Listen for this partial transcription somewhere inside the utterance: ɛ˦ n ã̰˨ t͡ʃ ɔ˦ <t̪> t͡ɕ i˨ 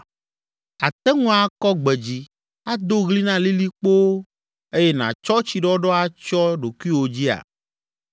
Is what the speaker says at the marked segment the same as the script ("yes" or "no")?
no